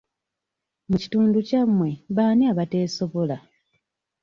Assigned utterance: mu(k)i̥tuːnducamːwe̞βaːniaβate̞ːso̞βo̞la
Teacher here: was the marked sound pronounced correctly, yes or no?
no